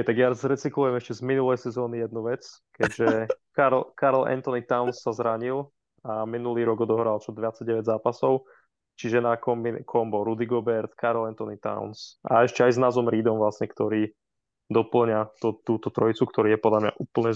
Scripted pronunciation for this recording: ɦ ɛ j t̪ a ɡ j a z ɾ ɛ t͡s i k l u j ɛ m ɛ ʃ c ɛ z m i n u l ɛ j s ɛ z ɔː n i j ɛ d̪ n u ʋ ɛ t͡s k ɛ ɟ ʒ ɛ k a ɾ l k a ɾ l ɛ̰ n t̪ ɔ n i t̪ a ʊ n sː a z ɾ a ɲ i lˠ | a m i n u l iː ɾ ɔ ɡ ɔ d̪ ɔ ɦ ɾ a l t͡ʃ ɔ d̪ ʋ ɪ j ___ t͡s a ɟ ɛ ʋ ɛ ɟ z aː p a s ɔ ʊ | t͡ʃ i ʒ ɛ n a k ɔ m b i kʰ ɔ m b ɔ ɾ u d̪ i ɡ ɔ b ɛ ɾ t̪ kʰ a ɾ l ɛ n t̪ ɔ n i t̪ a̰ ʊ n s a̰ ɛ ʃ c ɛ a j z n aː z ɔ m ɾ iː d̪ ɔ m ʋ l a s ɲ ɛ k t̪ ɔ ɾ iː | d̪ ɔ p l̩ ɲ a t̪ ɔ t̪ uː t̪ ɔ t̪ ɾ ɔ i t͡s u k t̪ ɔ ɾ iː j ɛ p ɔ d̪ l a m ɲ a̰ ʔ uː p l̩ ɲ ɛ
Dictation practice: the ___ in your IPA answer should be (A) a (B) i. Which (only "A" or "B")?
A